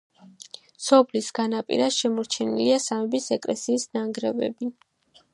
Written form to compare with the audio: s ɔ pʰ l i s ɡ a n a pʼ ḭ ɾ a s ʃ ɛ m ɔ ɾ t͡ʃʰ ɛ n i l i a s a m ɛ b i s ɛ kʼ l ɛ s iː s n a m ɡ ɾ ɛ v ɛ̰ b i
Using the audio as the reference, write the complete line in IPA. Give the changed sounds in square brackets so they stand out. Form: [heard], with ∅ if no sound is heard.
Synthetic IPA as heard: s ɔ pʰ l i s ɡ a n a pʼ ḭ ɾ a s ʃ ɛ m ɔ ɾ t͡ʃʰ ɛ n i l i a s a m ɛ b i s ɛ kʼ l ɛ s iː s n a [ŋ] ɡ ɾ ɛ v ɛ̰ b i